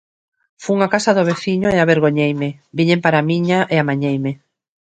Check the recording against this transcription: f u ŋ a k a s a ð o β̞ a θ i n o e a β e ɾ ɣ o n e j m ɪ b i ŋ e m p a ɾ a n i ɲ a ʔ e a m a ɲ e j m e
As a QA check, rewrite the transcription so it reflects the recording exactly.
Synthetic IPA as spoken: f u ŋ a k a s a ð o β̞ e θ i ɲ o e a β e ɾ ɣ o ɲ e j m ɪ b i ɲ e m p a ɾ a m i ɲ a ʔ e a m a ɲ e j m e